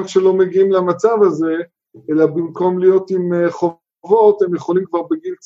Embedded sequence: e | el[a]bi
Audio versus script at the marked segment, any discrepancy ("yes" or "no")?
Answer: no